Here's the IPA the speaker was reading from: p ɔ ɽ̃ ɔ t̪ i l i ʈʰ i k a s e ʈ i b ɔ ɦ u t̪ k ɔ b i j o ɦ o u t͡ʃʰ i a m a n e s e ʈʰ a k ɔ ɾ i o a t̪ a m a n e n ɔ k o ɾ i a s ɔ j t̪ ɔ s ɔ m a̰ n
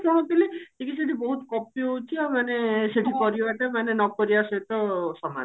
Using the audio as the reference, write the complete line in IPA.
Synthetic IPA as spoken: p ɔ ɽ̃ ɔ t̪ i l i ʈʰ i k i s e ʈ i b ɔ ɦ u t̪ k ɔ p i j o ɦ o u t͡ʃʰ i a m a n e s e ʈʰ i k ɔ ɾ i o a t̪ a m a n e n ɔ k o ɾ i a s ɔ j t̪ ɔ s ɔ m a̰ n